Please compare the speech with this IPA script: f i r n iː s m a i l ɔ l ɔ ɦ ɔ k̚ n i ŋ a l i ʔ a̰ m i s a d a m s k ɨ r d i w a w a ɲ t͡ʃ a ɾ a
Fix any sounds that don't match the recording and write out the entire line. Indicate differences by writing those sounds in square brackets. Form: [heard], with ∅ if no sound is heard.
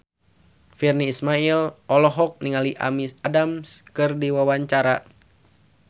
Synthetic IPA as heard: f i r n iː s m a i l ɔ l ɔ ɦ ɔ k̚ n i ŋ a l i ʔ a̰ m i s a d a m s k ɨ r d i w a w a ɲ t͡ʃ a ɾ a